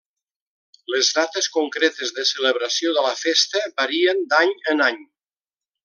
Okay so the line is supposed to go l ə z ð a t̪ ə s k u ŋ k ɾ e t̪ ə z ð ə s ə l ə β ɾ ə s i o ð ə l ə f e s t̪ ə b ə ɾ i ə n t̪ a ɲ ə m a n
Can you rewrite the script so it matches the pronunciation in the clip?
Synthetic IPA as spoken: l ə z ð a t̪ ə s k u ŋ k ɾ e t̪ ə z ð ə s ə l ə β ɾ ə s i o ð ə l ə f e s t̪ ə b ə ɾ i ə n d̪ a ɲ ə n a ɲ

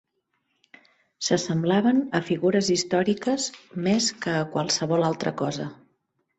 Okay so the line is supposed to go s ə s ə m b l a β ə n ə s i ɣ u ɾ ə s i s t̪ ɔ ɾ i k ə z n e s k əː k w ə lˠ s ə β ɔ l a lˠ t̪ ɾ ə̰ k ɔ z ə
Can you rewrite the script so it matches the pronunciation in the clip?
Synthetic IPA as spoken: s ə s ə m b l a β ə n ə f i ɣ u ɾ ə z i s t̪ ɔ ɾ i k ə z m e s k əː k w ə lˠ s ə β ɔ l a lˠ t̪ ɾ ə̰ k ɔ z ə

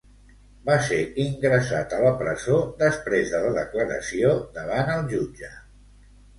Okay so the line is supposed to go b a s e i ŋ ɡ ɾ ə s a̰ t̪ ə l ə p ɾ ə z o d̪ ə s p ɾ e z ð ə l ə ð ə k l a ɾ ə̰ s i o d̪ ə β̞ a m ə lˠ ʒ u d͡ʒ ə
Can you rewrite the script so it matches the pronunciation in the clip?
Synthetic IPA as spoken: b a s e i ŋ ɡ ɾ ə s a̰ t̪ ə l ə p ɾ ə z o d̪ ə s p ɾ e z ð ə l ə ð ə k l ə ɾ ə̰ s i o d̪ ə β̞ a n ə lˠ ʒ u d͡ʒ ə

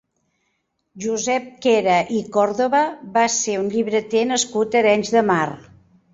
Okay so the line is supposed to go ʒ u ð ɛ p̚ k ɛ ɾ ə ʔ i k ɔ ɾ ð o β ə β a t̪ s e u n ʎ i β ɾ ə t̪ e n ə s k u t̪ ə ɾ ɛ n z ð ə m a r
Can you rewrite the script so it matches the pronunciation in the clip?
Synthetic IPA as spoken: ʒ u z ɛ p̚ k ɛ ɾ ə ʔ i k ɔ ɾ ð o β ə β a s e u n ʎ i β ɾ ə t̪ e n ə s k u t̪ ə ɾ ɛ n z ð ə m a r

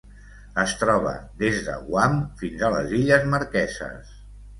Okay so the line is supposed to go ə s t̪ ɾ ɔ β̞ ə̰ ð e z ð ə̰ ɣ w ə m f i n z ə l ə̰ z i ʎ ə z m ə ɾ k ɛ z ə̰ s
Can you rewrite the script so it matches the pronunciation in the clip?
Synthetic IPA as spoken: ə s t̪ ɾ ɔ β̞ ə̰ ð e z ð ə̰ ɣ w a m f i n z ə l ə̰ z i ʎ ə z m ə ɾ k ɛ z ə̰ s

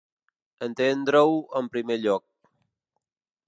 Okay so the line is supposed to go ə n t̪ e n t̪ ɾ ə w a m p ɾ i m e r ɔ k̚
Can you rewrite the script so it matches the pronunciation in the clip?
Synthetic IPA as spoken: ə n t̪ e n d̪ ɾ ə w ə m p ɾ i m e ʎ ɔ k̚

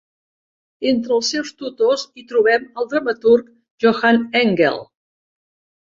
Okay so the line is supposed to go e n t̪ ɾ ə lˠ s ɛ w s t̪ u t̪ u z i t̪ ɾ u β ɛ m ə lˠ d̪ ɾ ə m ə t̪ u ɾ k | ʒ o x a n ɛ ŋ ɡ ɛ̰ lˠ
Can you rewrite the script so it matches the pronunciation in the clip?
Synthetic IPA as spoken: e n t̪ ɾ ə lˠ s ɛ w s t̪ u t̪ o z i t̪ ɾ u β ɛ m ə lˠ d̪ ɾ ə m ə t̪ u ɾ k | ʒ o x a n ɛ ŋ ɡ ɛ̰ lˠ

